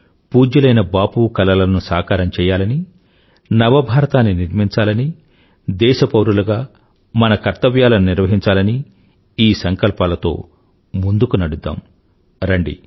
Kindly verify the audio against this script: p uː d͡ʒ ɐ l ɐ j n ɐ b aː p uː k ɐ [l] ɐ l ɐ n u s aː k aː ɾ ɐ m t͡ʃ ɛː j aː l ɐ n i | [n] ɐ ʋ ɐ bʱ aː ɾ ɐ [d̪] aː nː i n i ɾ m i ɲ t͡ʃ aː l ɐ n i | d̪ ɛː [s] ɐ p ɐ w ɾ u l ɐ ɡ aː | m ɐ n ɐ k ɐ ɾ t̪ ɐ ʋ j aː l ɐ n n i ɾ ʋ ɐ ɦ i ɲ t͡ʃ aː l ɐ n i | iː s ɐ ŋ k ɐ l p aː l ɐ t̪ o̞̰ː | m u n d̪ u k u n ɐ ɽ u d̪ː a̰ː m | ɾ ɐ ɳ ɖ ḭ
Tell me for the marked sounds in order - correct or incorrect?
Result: correct, correct, incorrect: t̪, incorrect: ʃ

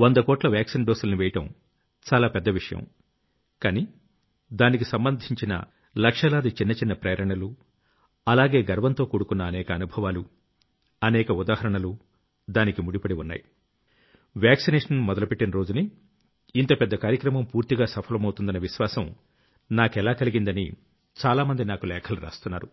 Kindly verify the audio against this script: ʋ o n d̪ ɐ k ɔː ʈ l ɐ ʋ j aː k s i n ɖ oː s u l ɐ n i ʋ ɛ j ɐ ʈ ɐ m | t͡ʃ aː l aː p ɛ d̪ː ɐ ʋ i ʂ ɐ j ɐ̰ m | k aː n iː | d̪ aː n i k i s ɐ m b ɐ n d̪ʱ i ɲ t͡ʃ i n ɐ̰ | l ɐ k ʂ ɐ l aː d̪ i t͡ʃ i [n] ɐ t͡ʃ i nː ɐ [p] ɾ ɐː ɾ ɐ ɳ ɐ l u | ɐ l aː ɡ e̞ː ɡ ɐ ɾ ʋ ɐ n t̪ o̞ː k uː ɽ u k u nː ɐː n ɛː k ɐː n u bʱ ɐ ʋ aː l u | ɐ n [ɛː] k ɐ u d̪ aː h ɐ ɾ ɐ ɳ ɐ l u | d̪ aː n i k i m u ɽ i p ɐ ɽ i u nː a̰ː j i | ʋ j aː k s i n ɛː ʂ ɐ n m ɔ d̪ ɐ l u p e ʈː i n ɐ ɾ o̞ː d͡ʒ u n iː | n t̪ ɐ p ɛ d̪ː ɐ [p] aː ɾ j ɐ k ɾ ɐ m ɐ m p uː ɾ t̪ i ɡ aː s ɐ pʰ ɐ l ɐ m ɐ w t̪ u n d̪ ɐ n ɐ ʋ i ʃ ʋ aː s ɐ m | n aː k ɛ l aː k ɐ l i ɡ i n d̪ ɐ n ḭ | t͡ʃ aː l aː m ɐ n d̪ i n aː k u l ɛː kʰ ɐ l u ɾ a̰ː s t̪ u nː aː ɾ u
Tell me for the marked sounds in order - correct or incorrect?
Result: incorrect: nː, correct, correct, incorrect: k

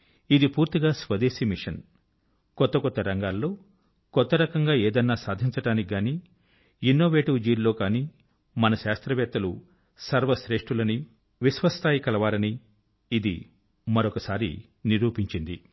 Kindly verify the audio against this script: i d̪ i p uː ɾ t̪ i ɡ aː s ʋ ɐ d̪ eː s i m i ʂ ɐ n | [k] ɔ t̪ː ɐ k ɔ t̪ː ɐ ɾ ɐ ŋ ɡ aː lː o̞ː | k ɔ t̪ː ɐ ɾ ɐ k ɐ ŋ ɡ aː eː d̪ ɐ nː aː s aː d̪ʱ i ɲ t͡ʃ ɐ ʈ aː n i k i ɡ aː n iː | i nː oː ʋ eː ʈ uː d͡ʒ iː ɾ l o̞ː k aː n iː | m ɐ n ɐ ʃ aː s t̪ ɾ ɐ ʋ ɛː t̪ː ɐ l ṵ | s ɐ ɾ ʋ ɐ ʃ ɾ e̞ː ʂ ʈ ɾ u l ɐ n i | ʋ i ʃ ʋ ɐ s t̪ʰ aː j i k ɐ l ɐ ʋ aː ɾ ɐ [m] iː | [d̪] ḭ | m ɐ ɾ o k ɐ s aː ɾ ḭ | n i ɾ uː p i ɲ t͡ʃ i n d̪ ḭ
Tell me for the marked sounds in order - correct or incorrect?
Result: correct, incorrect: n, correct

